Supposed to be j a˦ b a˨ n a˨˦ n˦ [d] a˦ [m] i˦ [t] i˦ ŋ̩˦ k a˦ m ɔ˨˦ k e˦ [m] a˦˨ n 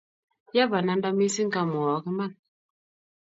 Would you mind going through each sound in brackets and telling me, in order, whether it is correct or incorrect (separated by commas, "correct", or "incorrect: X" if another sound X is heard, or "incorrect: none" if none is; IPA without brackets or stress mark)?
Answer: correct, correct, incorrect: s, correct